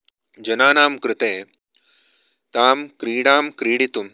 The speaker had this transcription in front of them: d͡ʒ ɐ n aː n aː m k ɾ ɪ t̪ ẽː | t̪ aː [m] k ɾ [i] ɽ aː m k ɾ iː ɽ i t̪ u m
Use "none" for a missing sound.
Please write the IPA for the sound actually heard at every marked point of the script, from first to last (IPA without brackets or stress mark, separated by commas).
m, iː